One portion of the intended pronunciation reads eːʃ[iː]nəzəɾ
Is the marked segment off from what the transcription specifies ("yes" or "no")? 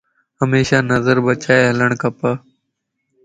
yes